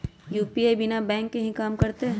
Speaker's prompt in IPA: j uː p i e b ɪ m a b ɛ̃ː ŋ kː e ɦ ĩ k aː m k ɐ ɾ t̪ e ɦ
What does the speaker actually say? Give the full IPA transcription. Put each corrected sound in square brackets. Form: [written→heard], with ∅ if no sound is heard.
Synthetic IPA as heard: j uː p i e b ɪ [m→n] a b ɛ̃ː ŋ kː e ɦ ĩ k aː m k ɐ ɾ t̪ e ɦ